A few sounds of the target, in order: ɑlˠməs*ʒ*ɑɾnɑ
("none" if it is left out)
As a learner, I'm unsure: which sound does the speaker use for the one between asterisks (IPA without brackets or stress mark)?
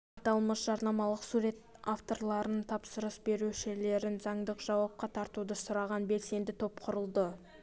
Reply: ʒ